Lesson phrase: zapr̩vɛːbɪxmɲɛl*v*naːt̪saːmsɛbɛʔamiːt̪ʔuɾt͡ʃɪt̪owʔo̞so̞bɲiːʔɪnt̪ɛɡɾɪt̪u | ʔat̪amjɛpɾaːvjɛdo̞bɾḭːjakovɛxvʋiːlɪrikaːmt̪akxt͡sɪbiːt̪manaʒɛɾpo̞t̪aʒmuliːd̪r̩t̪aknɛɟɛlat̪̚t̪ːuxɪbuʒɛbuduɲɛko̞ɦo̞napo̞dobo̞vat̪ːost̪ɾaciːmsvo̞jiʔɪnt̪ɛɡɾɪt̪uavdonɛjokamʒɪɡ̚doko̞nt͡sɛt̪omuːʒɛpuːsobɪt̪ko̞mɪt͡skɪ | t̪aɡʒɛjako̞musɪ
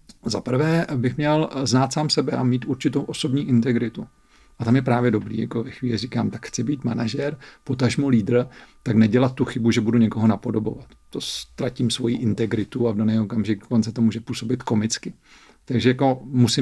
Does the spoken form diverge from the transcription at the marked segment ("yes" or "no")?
yes